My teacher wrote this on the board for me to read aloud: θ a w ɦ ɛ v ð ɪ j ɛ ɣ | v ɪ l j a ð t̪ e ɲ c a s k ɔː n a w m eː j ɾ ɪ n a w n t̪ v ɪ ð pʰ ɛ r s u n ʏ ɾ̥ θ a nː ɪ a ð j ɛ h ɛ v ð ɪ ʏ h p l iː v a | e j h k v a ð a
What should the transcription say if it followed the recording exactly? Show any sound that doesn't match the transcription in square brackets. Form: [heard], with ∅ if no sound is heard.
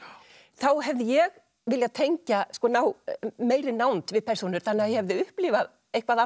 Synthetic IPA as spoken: θ a w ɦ ɛ v ð ɪ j ɛ ɣ | v ɪ l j a ð [t̪ʰ] e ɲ c a s k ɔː n a w m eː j ɾ ɪ n a w n t̪ v ɪ ð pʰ ɛ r s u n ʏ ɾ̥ θ a nː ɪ a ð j ɛ h ɛ v ð ɪ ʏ h p l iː v a | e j h k v a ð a